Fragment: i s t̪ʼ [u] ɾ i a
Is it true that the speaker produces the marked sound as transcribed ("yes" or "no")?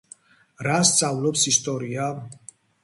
no